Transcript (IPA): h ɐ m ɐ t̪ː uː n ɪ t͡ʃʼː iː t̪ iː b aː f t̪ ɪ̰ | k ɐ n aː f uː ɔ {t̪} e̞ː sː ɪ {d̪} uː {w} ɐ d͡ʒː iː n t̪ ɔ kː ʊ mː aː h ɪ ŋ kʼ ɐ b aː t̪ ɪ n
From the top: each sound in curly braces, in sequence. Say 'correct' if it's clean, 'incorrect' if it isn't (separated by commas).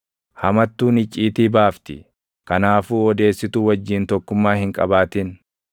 incorrect, incorrect, correct